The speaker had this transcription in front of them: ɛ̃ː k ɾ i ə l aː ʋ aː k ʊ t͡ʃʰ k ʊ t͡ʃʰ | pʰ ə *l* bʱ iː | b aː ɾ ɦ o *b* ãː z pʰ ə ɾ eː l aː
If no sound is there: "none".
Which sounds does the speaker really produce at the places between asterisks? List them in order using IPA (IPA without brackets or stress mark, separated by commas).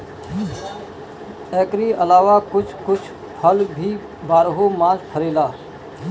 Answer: l, m